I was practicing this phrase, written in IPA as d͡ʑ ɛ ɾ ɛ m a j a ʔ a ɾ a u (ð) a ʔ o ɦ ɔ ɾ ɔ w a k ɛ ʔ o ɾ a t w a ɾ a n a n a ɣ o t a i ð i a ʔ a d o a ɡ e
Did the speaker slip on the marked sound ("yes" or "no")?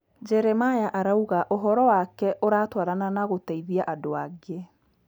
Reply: yes